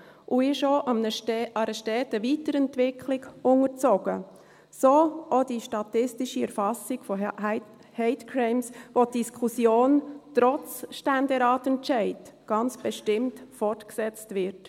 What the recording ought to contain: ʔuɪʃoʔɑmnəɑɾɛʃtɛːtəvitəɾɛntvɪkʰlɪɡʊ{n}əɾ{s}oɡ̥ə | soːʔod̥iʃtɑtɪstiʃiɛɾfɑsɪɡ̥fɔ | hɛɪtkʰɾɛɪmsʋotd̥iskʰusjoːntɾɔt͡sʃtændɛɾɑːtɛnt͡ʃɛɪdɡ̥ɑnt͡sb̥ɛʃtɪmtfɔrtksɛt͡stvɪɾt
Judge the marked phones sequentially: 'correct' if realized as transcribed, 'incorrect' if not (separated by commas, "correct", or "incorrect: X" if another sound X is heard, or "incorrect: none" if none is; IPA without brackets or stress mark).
incorrect: ŋ, incorrect: t͡s